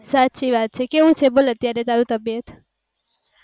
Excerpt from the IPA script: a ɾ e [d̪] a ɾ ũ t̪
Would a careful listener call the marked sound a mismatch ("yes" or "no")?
yes